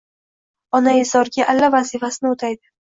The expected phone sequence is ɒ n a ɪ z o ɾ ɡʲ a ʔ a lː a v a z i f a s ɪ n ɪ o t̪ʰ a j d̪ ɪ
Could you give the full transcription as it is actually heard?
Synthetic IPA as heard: ɒ n a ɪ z ɒ ɾ ɡʲ a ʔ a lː a v a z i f a s ɪ n ɪ o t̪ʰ a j d̪ ɪ